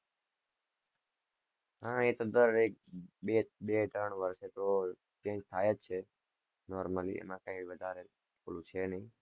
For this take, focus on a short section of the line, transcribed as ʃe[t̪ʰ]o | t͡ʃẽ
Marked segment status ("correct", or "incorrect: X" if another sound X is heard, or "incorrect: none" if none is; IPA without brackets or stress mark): incorrect: t̪